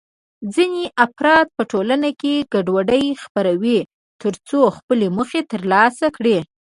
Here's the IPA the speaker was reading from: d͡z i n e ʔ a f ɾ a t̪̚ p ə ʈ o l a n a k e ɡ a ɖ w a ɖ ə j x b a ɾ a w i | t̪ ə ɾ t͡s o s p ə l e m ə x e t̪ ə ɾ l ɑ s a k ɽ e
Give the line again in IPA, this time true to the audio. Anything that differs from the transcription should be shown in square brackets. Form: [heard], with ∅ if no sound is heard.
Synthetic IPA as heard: d͡z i n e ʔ a f ɾ [ɑ] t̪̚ p ə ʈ o l a n a k e ɡ a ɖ w a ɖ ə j x [p] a ɾ a w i | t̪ ə ɾ t͡s o [x] p ə l e m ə x e t̪ ə ɾ l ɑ s a k ɽ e

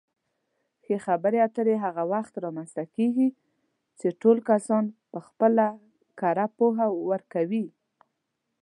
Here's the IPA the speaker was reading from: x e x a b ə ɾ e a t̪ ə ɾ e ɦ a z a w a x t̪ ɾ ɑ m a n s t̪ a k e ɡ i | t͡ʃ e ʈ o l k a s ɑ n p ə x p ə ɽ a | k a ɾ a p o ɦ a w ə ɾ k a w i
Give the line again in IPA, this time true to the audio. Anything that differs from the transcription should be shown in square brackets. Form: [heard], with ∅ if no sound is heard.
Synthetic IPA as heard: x e x a b ə ɾ e a t̪ ə ɾ e ɦ a [ɣ] a w a x t̪ ɾ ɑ m a n s t̪ a k e ɡ i | t͡ʃ e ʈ o l k a s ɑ n p ə x p ə [l] a | k a ɾ a p o ɦ a w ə ɾ k a w i

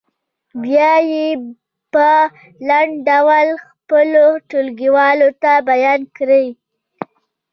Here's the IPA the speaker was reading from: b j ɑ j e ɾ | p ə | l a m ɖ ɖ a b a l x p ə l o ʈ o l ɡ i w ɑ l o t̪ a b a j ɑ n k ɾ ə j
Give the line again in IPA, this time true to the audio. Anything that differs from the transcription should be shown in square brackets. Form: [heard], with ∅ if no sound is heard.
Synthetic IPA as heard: b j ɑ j e [∅] | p ə | l a [ɳ] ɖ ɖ a [w] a l x p ə l o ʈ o l ɡ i w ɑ l o t̪ a b a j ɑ n k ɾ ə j

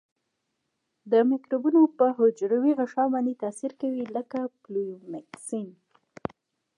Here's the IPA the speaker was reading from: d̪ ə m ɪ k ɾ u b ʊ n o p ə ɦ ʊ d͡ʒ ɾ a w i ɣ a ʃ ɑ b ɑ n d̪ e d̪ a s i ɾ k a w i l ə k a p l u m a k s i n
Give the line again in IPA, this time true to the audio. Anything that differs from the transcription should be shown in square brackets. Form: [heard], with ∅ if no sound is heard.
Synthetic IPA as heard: d̪ ə m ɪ k ɾ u b [u] n o p ə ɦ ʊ d͡ʒ ɾ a w i ɣ a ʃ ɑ b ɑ n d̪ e [t̪] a s i ɾ k a w i l ə k a p l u m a k s i n

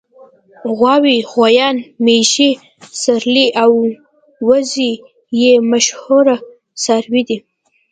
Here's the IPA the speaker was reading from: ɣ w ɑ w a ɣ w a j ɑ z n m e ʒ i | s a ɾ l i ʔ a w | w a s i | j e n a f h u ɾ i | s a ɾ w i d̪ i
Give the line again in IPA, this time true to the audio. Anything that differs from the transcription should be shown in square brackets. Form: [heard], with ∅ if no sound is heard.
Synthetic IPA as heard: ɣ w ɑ w [i] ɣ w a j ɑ [∅] n m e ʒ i | s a ɾ l i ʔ a w | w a [z] i | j e [m] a [ʃ] h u ɾ [a] | s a ɾ w i d̪ i

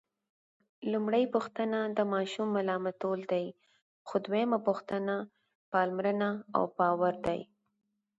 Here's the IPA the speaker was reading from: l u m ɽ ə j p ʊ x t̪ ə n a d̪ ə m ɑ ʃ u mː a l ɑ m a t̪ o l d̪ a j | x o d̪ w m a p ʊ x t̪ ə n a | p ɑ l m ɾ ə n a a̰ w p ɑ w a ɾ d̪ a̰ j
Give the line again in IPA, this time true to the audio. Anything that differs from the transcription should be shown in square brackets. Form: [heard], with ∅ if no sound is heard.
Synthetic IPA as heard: l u m ɽ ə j p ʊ x t̪ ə n a d̪ ə m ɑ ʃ u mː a l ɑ m a t̪ o l d̪ a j | x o d̪ w m a p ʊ x t̪ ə n a | p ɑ l m ɾ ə n a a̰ w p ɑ w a ɾ d̪ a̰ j

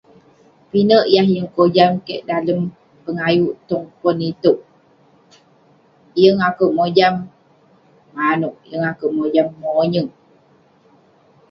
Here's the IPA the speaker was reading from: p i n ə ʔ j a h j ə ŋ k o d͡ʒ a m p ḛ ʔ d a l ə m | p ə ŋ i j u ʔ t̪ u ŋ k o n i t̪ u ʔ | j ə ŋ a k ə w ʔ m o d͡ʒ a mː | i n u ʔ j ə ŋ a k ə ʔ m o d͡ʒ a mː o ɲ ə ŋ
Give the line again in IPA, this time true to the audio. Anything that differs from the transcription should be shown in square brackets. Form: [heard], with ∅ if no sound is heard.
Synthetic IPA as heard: p i n ə ʔ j a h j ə ŋ k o d͡ʒ a m [k] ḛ ʔ d a l ə m | p ə ŋ [a] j u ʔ t̪ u ŋ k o n i t̪ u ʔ | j ə ŋ a k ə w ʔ m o d͡ʒ a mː | [a] n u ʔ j ə ŋ a k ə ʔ m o d͡ʒ a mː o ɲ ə ŋ

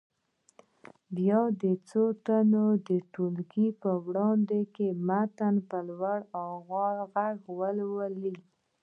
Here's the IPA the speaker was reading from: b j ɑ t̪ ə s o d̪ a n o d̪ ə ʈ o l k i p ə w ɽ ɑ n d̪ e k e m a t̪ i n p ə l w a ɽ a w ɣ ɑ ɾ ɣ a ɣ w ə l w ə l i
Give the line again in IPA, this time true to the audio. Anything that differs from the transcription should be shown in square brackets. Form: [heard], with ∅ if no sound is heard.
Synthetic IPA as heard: b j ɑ [d̪] ə [t͡s] o [t̪] a n o d̪ ə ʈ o l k i p ə w ɽ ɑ n d̪ e k e m a t̪ [a] n p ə l w a ɽ a w ɣ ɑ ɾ ɣ a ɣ w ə l w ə l i

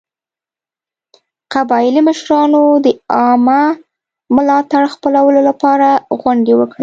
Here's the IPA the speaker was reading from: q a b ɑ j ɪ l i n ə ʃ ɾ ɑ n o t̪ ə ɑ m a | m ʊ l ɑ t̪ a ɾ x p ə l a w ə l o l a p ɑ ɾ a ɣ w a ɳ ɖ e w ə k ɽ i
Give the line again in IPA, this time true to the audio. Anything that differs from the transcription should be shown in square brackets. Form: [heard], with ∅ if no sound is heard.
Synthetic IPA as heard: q a b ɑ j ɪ l i [m] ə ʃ ɾ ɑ n o [d̪] ə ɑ m a | m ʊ l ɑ t̪ a [ɽ] x p ə l a w ə l o l a p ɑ ɾ a ɣ w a ɳ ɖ e w ə k ɽ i

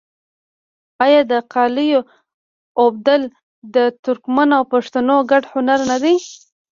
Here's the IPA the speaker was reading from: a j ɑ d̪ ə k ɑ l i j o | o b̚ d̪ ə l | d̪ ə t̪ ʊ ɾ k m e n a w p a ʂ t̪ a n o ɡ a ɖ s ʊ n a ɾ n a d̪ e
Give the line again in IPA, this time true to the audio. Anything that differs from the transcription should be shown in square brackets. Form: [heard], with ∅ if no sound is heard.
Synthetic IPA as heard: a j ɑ d̪ ə [q] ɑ l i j o | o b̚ d̪ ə l | d̪ ə t̪ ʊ ɾ k m [a] n a w p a ʂ t̪ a n o ɡ a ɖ [h] ʊ n a ɾ n a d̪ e

